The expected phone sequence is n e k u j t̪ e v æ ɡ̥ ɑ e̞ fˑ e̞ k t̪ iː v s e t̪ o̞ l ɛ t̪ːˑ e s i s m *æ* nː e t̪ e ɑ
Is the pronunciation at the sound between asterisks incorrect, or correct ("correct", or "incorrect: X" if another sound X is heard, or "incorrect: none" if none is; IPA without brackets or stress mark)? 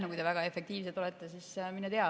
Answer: incorrect: i